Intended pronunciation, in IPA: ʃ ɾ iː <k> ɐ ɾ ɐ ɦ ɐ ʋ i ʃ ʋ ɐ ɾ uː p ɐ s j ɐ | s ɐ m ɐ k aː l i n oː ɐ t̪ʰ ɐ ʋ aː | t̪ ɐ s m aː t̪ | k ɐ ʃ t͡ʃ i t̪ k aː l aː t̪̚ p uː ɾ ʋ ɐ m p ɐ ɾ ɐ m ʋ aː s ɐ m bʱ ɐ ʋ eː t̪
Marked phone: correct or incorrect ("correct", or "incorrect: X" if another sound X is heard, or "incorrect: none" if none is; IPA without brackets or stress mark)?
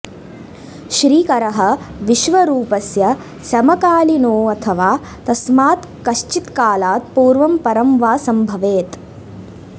correct